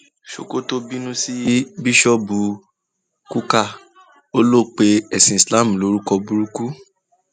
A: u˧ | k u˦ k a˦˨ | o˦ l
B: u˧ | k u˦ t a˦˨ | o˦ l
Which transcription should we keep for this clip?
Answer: A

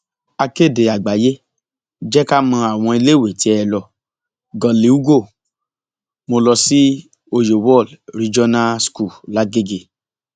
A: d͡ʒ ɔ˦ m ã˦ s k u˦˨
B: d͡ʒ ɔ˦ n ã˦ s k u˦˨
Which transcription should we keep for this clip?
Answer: B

